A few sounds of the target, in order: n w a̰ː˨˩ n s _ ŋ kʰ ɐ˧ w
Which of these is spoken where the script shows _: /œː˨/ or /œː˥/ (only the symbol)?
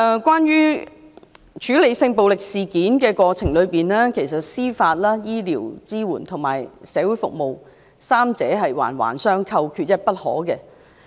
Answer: œː˥